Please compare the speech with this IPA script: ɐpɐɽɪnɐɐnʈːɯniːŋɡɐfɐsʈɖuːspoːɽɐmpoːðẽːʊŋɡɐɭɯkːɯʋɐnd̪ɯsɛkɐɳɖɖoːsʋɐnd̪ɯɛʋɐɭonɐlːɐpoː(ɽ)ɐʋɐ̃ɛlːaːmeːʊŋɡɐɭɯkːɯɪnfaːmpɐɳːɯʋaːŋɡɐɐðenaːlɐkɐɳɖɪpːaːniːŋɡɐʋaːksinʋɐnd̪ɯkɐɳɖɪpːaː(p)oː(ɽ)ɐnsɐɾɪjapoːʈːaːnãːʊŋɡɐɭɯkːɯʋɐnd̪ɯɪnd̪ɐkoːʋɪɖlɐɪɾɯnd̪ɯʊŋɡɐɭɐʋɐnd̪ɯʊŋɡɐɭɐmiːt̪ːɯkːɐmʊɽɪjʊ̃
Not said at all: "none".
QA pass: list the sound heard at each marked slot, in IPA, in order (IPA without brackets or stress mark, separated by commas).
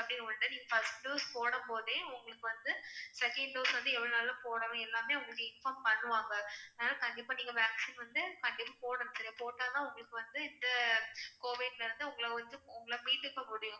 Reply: ɽ, p, ɽ